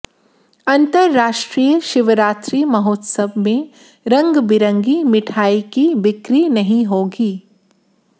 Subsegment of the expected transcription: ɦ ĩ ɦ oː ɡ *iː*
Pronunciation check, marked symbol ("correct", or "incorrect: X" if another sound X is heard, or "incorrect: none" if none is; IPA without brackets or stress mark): correct